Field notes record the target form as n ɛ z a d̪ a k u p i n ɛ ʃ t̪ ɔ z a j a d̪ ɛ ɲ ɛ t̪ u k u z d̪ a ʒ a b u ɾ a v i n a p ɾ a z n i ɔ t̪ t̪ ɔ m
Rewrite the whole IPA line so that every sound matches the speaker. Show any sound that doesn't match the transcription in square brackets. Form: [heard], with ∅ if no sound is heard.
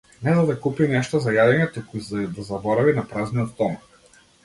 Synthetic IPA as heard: n ɛ z a d̪ a k u p i n ɛ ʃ t̪ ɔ z a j a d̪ ɛ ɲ ɛ t̪ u k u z d̪ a [z] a b [ɔ] ɾ a v i n a p ɾ a z n i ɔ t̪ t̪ ɔ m